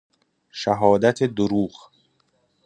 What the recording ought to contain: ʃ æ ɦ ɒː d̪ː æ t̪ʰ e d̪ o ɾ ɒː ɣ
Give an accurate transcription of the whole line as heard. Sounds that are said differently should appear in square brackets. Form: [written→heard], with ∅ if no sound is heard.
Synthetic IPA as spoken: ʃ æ ɦ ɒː [d̪ː→d̪] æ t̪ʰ e d̪ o ɾ [ɒː→uː] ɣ